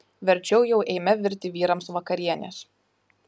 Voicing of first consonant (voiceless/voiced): voiced